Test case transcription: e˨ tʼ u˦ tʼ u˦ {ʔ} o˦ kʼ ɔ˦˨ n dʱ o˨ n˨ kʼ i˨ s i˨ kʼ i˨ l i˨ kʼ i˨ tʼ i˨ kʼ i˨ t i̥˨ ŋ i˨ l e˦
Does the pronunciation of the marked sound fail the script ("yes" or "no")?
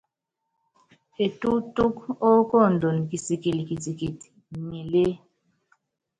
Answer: yes